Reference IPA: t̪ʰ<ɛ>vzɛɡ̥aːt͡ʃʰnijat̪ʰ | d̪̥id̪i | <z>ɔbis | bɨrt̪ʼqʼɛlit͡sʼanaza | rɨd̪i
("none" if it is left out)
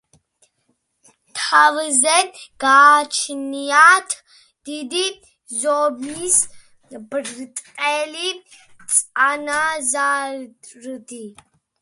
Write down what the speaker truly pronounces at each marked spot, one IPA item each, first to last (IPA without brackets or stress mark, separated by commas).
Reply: a, z